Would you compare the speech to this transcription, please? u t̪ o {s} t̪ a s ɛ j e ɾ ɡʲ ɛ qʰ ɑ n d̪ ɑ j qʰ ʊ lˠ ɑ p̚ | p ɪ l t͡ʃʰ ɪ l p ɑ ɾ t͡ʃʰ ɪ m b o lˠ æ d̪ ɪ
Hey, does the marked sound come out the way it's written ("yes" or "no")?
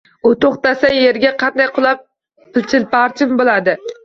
no